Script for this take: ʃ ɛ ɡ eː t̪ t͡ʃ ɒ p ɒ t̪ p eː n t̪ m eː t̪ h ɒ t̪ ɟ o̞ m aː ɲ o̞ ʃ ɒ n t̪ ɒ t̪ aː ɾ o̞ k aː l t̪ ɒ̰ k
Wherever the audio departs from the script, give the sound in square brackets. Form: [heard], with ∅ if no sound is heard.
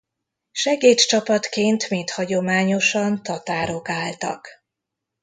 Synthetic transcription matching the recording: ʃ ɛ ɡ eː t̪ t͡ʃ ɒ p ɒ t̪ [k] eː n t̪ m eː t̪ h ɒ [∅] ɟ o̞ m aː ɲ o̞ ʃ ɒ n t̪ ɒ t̪ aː ɾ o̞ k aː l t̪ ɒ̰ k